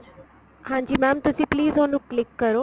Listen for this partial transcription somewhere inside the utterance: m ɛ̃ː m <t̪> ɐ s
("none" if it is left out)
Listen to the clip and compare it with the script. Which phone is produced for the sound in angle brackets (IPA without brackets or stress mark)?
t̪